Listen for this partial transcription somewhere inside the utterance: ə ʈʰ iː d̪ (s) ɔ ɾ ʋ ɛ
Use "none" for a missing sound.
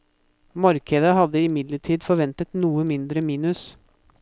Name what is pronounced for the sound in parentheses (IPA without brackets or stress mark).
f